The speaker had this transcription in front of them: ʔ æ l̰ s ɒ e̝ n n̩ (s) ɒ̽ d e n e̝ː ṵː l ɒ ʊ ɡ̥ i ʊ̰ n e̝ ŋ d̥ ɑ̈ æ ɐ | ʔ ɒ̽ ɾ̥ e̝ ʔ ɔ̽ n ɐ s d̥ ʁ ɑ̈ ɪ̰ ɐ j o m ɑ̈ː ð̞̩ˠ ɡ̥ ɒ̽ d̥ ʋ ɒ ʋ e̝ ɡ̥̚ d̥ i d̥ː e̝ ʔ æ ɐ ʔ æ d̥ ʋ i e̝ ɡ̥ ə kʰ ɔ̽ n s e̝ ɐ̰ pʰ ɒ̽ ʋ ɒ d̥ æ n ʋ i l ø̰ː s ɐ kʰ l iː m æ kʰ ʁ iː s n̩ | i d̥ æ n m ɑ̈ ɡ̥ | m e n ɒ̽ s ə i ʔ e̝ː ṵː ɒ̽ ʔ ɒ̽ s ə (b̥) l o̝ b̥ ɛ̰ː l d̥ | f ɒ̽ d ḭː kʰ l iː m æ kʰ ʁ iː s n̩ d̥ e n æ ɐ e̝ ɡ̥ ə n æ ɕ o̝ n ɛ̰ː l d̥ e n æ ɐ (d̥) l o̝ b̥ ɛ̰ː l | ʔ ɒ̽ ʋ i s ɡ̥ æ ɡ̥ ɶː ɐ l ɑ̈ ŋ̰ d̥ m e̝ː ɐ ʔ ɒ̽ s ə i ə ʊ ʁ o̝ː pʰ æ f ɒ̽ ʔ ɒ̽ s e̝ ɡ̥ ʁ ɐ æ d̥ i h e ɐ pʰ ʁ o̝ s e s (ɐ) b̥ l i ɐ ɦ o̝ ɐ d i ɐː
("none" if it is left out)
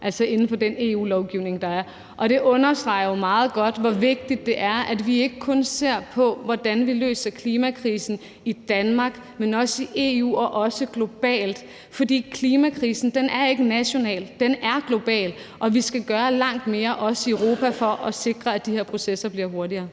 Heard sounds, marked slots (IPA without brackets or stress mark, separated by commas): f, ɡ̥, ɡ̥, ɐ